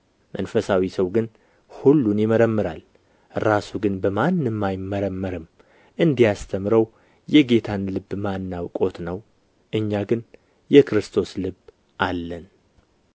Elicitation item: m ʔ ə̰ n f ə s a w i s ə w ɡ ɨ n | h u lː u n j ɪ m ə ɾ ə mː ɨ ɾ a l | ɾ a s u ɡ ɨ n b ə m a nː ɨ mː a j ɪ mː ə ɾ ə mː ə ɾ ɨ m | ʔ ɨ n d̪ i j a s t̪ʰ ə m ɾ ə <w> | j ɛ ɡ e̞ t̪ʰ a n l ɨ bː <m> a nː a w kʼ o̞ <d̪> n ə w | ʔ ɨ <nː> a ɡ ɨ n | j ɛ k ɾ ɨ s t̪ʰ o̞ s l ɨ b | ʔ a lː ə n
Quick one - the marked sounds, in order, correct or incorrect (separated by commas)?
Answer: correct, correct, incorrect, incorrect